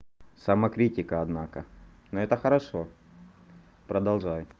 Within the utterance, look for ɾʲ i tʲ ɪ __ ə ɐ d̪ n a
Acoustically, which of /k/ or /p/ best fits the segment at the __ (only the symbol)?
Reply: k